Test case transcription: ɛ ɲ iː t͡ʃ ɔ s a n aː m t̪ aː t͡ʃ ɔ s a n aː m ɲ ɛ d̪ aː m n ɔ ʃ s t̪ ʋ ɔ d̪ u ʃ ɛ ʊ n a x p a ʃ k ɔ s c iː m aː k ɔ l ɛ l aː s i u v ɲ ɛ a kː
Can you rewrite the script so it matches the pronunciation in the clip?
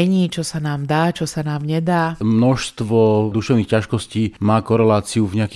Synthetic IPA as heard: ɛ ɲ iː t͡ʃ ɔ s a n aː m d̪ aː t͡ʃ ɔ s a n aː m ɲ ɛ d̪ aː m n ɔ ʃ s t̪ ʋ ɔ d̪ u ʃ ɛ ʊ n i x c a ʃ k ɔ s c iː m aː k ɔ ɾ ɛ l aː t͡s i u v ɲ ɛ a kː